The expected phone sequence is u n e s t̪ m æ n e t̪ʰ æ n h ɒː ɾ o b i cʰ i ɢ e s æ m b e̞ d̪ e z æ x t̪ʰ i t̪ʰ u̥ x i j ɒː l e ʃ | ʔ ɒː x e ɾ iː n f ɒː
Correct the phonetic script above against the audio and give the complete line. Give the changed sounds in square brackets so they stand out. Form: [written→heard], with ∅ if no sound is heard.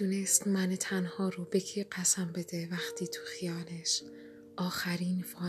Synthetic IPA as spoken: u n e s t̪ m æ n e t̪ʰ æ n h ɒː ɾ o b [i→e] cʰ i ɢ [e→æ] s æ m b e̞ d̪ e [z→v] æ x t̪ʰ [i→iː] t̪ʰ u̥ x i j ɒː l e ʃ | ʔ ɒː x [e→æ] ɾ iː n f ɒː